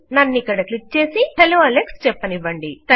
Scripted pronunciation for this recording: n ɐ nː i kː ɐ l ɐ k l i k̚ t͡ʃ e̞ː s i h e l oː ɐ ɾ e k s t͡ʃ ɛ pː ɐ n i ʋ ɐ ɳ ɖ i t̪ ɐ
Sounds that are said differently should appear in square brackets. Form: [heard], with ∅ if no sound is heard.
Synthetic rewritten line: n ɐ nː i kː ɐ [ɽ] ɐ k l i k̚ t͡ʃ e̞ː s i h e l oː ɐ [l] e k s t͡ʃ ɛ pː ɐ n i ʋ ɐ ɳ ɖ i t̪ ɐ